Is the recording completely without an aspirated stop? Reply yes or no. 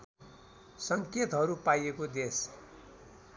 yes